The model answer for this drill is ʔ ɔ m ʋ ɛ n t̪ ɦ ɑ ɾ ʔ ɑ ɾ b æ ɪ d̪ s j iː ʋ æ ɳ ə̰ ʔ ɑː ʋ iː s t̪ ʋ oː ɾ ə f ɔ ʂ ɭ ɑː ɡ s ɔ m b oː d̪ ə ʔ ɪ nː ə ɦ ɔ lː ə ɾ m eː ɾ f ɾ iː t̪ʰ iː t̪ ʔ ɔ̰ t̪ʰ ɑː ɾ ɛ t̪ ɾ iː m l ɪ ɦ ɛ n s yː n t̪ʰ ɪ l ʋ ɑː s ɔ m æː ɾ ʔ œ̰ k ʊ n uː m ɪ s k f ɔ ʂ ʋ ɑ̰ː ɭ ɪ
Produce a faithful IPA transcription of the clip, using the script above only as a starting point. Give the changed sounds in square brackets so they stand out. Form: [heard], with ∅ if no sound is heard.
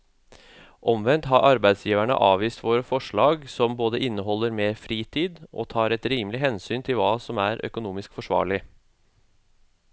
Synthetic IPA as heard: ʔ ɔ m ʋ ɛ n t̪ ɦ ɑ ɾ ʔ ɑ ɾ b æ ɪ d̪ s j iː ʋ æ ɳ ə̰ ʔ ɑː ʋ iː s t̪ ʋ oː ɾ ə f ɔ ʂ ɭ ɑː ɡ s ɔ m b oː d̪ ə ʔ ɪ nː ə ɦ ɔ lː ə ɾ m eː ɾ f ɾ iː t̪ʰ iː [d̪] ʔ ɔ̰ t̪ʰ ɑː ɾ ɛ t̪ ɾ iː m l ɪ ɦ ɛ n s yː n t̪ʰ ɪ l ʋ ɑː s ɔ m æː ɾ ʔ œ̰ k ʊ n uː m ɪ s k f ɔ ʂ ʋ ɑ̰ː ɭ ɪ